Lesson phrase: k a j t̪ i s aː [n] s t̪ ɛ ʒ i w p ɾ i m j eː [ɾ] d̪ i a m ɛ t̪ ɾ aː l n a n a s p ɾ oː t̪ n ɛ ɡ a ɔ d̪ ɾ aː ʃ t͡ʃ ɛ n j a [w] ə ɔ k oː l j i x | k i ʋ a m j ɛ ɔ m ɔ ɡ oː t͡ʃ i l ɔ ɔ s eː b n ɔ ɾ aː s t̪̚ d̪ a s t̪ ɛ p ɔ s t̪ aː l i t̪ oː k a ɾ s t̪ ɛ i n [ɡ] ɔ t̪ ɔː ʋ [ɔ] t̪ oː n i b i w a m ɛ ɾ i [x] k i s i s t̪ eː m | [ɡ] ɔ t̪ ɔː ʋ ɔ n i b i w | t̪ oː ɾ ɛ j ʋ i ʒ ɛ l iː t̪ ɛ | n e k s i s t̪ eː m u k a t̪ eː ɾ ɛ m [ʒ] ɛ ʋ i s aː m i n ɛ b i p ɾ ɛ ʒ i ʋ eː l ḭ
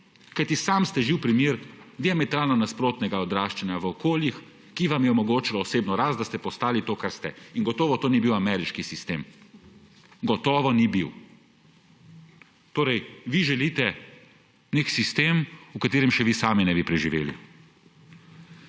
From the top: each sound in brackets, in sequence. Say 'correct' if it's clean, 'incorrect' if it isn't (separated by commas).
incorrect, correct, incorrect, correct, correct, incorrect, correct, incorrect